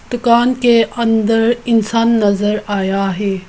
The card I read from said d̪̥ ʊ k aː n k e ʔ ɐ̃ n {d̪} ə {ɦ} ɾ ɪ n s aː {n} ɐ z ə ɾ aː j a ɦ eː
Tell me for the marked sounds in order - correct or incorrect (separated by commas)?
correct, incorrect, incorrect